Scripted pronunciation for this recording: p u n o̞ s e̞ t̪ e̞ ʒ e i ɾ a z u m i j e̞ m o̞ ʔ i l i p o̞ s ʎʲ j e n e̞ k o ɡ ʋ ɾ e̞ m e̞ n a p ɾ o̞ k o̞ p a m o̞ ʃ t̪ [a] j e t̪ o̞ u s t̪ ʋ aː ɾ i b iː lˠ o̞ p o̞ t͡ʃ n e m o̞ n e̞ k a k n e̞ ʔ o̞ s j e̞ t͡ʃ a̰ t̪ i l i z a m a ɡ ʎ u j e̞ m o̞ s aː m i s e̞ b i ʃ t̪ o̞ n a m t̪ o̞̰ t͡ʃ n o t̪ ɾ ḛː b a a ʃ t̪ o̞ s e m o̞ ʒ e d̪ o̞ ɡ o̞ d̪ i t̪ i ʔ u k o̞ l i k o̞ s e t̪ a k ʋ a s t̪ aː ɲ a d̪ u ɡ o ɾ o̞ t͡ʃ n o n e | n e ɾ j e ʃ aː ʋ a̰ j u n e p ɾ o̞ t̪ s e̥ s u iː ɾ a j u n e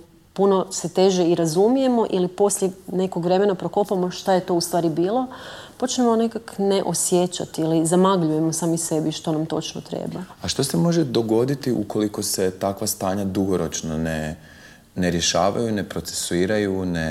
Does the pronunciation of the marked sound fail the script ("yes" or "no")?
no